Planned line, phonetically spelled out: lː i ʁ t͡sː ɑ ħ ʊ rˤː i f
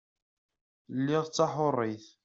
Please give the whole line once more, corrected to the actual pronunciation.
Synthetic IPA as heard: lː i ʁ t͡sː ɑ ħ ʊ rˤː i θ

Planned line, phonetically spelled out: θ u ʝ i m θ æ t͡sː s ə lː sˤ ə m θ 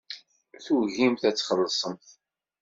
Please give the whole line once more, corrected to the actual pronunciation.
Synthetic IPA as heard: θ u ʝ i m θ æ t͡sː χ ə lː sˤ ə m θ

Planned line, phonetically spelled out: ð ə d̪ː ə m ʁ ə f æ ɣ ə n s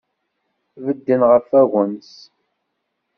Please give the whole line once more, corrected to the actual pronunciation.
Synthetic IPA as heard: v ə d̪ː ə n ʁ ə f æ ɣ ə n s

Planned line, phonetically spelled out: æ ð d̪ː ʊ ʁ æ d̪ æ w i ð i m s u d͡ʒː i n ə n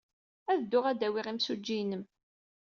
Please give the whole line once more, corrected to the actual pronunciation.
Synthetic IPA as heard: æ ð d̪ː ʊ ʁ æ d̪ æ w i ʁ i m s u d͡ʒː i n ə m

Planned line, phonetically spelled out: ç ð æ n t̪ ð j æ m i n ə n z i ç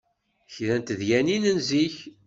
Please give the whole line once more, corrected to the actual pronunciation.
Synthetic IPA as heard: ç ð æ n t̪ ð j æ n i n ə n z i ç

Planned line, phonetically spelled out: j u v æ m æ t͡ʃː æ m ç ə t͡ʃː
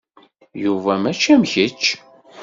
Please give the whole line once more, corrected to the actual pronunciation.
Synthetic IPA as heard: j u v æ m æ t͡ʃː æ m ç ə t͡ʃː

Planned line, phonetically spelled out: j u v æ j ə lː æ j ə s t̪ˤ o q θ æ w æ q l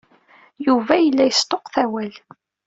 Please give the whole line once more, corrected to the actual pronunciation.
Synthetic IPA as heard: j u v æ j ə lː æ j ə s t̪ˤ o q θ æ w æ l

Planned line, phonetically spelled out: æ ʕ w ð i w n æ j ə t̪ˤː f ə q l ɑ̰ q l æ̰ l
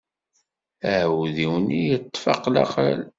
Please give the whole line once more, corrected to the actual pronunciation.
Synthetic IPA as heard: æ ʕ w ð i w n i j ə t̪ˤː f ɑ q l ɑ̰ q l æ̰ l

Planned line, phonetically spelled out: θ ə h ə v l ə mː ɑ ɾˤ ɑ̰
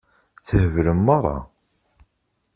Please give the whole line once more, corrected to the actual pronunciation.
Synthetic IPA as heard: θ ə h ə v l ə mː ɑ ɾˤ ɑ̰

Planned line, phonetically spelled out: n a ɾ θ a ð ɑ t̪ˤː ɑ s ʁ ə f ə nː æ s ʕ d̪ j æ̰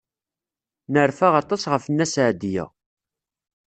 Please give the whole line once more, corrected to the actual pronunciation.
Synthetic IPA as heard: n ə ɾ f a ʁ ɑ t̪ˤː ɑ s ʁ ə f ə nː æ s ʕ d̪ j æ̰

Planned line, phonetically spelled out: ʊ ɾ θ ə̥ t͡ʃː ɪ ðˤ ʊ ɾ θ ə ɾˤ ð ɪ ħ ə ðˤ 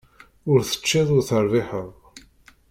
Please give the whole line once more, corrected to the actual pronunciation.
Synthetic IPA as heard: ʊ ɾ θ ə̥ t͡ʃː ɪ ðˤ ʊ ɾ θ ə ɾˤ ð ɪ ħ ə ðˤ

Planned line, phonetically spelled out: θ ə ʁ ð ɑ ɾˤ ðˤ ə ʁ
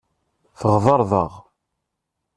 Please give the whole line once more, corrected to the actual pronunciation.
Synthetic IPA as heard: θ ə ʁ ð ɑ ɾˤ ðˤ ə ʁ

